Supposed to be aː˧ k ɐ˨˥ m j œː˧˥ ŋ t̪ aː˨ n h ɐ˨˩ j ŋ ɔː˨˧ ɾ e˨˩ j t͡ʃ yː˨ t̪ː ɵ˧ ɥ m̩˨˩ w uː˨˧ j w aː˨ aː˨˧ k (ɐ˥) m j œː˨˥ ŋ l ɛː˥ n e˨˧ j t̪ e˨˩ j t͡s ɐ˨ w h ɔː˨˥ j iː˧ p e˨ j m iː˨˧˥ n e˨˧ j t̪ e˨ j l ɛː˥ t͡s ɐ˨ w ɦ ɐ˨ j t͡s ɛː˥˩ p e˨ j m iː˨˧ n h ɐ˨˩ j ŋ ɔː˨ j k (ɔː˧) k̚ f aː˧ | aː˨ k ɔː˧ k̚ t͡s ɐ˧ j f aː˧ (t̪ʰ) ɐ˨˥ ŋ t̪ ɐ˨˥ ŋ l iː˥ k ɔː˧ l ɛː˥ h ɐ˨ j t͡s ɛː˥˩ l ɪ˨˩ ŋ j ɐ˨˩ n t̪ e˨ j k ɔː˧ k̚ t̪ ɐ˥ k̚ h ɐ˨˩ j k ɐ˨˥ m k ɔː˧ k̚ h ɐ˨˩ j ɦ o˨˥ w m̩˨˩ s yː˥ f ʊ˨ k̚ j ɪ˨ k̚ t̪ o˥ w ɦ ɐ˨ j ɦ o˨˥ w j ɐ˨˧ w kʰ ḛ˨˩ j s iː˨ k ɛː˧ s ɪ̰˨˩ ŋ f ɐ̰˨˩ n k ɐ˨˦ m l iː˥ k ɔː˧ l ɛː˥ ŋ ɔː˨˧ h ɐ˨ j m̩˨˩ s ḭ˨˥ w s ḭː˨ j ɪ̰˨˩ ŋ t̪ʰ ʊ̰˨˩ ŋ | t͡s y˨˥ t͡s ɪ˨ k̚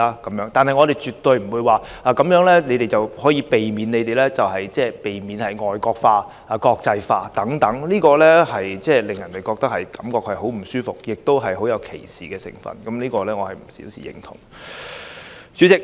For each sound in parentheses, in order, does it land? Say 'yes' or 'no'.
no, yes, no

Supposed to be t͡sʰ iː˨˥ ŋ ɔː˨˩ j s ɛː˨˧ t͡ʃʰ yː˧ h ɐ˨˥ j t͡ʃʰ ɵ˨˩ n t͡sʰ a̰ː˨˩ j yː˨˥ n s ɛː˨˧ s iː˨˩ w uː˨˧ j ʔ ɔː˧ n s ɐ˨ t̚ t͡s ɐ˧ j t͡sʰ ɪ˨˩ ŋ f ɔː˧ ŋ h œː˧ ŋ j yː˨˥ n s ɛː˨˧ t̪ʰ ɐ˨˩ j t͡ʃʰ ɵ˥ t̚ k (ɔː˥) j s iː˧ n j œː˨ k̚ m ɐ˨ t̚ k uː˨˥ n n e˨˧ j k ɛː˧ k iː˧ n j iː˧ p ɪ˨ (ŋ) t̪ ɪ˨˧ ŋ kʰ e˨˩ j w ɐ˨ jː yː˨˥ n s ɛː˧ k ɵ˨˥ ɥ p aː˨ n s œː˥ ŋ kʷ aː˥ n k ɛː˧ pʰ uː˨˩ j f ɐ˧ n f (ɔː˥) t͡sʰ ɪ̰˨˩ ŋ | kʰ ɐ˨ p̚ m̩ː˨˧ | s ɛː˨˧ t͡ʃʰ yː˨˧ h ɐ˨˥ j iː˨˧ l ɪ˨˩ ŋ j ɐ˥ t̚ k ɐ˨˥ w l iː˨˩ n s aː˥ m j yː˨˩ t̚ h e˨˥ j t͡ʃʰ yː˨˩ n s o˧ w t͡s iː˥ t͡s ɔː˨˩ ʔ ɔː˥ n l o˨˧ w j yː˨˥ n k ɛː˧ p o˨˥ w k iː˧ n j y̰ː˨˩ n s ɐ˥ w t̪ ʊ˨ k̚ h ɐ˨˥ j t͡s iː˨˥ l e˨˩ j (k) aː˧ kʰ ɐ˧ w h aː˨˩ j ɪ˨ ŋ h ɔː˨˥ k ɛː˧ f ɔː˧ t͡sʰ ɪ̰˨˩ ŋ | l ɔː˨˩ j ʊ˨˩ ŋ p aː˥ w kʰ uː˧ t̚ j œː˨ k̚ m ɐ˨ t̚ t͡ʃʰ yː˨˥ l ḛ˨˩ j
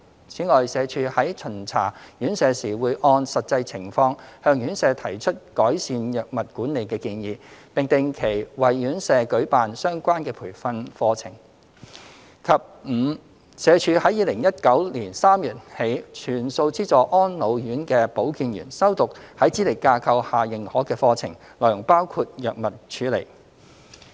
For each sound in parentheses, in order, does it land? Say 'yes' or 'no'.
no, yes, no, yes

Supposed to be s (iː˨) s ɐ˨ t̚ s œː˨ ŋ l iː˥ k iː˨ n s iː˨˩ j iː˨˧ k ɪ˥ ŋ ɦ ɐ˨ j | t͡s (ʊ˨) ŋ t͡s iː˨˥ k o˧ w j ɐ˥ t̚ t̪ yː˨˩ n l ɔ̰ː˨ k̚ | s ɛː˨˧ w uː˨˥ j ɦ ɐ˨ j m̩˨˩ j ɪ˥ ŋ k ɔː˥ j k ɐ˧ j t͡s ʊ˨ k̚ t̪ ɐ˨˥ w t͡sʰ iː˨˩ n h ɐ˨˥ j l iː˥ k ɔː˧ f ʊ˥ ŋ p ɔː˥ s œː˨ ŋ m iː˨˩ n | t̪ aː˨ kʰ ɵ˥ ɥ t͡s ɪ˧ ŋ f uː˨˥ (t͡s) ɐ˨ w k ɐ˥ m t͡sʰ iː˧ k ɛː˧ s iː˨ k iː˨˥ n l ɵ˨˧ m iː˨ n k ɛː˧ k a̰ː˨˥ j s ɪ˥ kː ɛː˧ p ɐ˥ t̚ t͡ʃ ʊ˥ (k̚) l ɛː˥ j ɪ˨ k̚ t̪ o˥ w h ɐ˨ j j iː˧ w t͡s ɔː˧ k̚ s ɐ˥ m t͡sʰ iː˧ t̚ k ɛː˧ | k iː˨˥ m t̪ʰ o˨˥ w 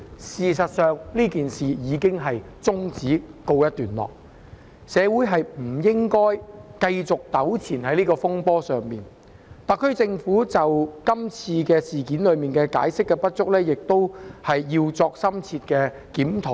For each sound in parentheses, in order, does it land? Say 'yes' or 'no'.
yes, no, yes, yes

